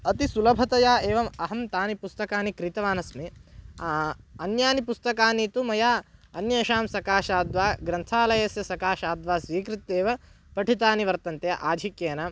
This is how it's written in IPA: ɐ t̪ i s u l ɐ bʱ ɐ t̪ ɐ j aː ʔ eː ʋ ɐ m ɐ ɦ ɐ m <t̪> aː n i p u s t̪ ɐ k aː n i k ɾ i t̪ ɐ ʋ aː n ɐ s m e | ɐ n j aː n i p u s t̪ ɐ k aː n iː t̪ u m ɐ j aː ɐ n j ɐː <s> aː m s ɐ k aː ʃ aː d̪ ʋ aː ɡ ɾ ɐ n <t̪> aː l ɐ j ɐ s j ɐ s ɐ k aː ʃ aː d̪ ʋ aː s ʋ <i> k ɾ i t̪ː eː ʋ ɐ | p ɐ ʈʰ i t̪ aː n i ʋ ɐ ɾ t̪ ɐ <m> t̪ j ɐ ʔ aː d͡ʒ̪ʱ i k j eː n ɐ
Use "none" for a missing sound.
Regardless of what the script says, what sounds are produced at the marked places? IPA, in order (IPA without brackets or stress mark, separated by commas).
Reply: t̪, ʃ, t̪ʰ, iː, n